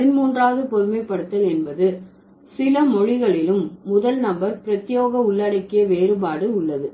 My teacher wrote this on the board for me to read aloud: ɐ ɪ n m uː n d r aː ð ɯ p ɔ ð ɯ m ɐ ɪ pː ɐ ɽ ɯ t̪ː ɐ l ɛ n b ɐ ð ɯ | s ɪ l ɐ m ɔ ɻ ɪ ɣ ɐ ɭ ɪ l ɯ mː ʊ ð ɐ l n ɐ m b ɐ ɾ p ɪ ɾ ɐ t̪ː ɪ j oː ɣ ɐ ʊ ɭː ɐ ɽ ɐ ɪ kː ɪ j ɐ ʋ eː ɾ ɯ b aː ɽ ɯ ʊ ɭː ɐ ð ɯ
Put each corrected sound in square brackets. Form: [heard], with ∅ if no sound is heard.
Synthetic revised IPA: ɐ ɪ n m uː n d r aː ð ɯ p ɔ ð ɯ m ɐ ɪ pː ɐ ɽ ɯ t̪ː ɐ l ɛ n b ɐ ð ɯ | s ɪ l ɐ m ɔ ɻ ɪ ɣ ɐ ɭ ɪ l ɯ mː ʊ ð ɐ l n ɐ m b ɐ ɾ p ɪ ɾ ɐ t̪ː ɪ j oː ɣ ɐ ʊ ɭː ɐ ɽ ɐ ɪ kː ɪ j ɐ ʋ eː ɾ ɯ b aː ɽ ɯ ʊ ɭː ɐ ð ɯ